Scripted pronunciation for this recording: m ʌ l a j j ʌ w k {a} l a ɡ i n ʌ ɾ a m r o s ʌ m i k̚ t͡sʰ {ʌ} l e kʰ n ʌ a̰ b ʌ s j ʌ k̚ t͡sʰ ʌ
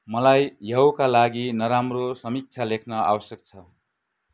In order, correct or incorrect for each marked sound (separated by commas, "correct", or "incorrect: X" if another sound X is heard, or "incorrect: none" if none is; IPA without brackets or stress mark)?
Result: correct, incorrect: a